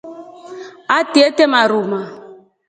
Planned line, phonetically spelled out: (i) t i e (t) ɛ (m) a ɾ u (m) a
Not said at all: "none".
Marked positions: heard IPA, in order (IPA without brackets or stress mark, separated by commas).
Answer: a, t, m, m